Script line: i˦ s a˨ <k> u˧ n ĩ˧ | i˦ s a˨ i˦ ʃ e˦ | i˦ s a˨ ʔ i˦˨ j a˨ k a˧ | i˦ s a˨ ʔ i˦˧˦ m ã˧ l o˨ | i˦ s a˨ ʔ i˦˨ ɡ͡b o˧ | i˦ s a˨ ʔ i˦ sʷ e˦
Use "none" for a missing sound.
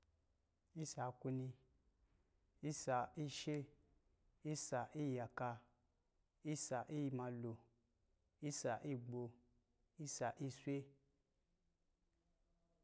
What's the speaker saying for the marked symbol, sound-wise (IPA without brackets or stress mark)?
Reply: k